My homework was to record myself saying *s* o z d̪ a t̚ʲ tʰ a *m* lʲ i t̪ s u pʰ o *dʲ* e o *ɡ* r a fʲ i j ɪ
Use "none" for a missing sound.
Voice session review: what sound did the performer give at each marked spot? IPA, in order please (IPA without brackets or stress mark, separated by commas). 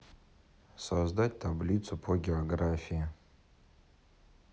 s, b, ɡʲ, ɡ